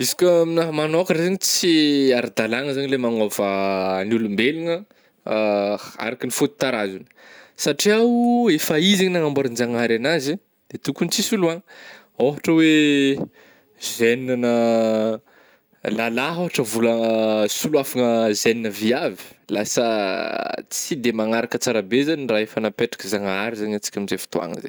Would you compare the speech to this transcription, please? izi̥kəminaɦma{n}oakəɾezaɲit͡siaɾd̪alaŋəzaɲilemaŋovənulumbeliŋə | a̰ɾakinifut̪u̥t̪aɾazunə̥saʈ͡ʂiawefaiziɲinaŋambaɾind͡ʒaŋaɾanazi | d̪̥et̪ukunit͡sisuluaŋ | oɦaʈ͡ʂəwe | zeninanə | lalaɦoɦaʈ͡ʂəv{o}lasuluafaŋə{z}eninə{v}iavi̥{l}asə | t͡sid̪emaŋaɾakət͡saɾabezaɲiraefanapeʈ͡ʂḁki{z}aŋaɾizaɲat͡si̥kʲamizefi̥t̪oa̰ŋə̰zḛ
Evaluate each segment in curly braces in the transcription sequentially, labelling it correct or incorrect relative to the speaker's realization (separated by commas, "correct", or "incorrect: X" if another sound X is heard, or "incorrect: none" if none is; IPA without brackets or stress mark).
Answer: correct, incorrect: u, correct, correct, correct, correct